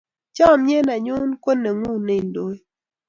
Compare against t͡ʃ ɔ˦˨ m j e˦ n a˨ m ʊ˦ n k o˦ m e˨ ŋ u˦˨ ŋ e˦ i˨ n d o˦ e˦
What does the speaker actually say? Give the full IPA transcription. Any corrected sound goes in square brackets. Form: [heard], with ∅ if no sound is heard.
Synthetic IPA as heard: t͡ʃ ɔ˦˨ m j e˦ n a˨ [ɲ] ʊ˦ n k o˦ [n] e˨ ŋ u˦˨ [n] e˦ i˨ n d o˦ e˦